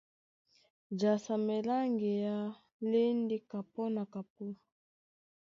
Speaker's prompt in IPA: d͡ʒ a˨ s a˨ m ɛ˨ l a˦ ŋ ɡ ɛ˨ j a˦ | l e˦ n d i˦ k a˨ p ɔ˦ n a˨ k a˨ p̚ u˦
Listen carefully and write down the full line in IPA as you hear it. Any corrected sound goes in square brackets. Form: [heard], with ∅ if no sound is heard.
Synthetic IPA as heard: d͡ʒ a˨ s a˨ m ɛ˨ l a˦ ŋ ɡ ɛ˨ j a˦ | l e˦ n d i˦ k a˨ p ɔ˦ n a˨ k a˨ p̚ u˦